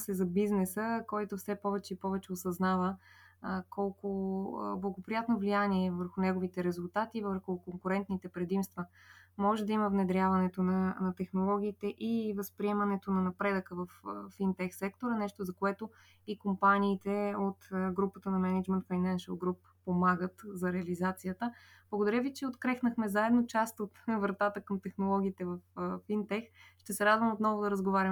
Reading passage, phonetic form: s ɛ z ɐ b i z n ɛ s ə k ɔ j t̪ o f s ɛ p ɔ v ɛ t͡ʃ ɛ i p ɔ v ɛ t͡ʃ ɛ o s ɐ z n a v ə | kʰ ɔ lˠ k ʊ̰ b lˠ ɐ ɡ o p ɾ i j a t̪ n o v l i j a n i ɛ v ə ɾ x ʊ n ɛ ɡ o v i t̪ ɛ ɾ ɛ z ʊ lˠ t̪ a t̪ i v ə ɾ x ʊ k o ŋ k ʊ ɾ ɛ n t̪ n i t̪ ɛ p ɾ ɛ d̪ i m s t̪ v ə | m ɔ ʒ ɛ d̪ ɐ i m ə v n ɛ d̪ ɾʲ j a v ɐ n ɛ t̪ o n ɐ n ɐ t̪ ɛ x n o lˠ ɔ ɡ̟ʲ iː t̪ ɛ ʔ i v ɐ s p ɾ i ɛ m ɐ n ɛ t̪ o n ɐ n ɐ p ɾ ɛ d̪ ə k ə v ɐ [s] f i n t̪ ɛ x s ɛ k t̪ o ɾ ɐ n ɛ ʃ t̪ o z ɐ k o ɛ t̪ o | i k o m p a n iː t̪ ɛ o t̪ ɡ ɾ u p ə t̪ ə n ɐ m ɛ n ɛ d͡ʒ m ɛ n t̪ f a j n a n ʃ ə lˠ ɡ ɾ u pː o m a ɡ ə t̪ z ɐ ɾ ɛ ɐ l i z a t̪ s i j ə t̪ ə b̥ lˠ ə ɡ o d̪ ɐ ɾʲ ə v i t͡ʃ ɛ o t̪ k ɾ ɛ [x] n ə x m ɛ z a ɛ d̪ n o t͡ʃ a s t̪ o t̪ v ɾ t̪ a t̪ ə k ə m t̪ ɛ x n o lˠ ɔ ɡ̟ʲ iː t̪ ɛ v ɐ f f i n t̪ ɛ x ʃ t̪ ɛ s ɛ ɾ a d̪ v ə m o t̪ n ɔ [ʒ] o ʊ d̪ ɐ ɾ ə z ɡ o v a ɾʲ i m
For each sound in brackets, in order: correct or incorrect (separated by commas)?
incorrect, correct, incorrect